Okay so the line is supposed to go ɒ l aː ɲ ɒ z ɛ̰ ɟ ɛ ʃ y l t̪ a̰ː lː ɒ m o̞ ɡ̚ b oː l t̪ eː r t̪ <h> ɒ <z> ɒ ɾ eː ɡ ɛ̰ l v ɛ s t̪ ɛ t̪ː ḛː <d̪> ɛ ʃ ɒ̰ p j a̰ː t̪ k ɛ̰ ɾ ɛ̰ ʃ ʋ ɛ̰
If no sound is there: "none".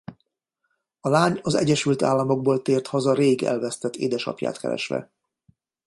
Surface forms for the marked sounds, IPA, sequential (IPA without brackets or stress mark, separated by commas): h, z, d̪